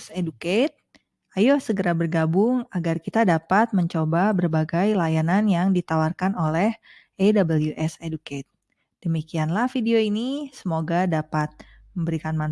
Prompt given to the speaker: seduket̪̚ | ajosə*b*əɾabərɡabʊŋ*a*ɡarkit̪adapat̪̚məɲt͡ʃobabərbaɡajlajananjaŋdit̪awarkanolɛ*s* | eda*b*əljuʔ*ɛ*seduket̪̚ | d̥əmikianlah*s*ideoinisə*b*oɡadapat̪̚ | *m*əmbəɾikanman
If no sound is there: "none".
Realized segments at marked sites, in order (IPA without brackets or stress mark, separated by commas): ɡ, a, h, b, ɛ, f, m, m